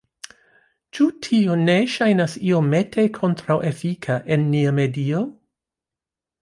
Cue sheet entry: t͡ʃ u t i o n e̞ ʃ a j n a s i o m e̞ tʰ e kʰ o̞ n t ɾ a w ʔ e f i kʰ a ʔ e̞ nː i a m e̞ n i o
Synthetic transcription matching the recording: t͡ʃ u tʰ i o n e̞ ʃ a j n a s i o m e̞ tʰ e kʰ o̞ n t ɾ a w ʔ e f i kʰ a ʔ e̞ nː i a m e̞ d i o